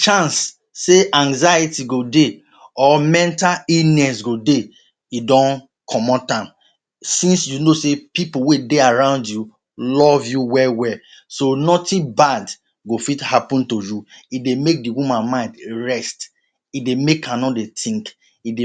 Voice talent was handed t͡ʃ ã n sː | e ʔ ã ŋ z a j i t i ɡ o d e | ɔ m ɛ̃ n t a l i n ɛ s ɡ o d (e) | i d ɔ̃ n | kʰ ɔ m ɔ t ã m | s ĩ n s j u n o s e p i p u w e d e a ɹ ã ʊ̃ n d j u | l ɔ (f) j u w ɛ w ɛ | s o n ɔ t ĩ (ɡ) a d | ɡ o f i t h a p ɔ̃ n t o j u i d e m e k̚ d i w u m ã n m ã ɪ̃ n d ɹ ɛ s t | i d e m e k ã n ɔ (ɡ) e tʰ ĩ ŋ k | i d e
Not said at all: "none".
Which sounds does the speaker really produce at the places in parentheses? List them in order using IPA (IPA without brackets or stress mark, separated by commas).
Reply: e, v, b, d